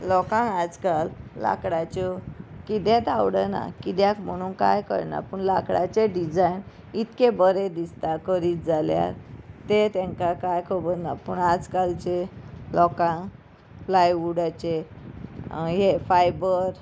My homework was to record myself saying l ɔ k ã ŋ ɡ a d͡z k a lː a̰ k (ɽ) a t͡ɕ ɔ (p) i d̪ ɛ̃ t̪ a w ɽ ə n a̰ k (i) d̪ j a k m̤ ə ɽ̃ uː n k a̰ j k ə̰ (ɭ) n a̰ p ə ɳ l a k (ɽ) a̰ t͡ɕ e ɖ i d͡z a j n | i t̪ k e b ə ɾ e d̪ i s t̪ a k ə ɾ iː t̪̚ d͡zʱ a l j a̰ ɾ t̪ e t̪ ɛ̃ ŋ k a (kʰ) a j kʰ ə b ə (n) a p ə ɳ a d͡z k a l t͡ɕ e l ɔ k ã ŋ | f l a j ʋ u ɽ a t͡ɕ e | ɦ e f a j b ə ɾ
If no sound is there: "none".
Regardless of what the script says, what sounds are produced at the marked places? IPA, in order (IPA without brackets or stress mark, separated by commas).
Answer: ɽ, k, i, ɾ, ɽ, k, n